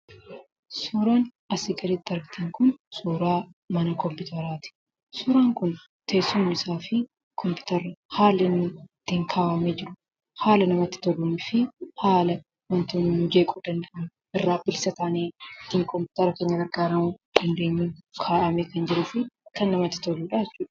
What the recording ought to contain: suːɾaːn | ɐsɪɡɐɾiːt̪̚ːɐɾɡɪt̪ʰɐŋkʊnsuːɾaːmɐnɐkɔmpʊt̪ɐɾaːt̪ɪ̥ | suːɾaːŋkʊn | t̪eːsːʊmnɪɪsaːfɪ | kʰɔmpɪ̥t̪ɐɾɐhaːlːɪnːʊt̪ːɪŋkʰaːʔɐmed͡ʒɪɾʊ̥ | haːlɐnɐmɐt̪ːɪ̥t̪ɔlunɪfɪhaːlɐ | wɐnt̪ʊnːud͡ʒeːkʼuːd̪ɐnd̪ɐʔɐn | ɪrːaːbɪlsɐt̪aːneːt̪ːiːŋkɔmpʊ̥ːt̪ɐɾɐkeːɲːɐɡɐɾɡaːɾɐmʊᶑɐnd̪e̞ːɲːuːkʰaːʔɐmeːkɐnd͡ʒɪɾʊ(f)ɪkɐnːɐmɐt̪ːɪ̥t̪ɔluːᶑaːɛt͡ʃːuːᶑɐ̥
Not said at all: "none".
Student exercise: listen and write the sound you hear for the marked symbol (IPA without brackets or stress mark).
f